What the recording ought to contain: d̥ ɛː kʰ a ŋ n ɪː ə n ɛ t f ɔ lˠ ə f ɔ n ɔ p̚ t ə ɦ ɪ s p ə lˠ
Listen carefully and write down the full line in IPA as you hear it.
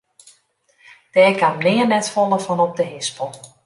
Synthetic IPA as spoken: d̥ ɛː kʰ a m n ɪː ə n ɛ t f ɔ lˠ ə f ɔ n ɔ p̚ d ə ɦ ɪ s p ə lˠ